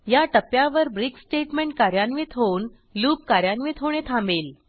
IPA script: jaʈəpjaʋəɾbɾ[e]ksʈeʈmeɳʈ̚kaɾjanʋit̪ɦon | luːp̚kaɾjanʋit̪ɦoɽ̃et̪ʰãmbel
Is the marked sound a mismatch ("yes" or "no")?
yes